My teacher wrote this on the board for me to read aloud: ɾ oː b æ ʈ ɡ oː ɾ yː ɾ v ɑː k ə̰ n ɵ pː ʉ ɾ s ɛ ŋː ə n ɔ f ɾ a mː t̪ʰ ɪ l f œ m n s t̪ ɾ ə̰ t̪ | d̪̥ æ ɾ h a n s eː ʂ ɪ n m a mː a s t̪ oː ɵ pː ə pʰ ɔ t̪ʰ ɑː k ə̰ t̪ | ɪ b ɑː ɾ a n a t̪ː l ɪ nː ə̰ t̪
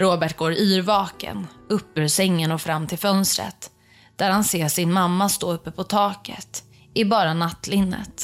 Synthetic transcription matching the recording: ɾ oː b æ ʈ ɡ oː ɾ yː ɾ v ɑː k ə̰ n ɵ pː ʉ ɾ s ɛ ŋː ə n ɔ f ɾ a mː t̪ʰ ɪ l f œ n s t̪ ɾ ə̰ t̪ | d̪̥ æ ɾ h a n s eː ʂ ɪ n m a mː a s t̪ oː ɵ pː ə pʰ ɔ t̪ʰ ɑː k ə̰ t̪ | ɪ b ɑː ɾ a n a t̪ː l ɪ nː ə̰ t̪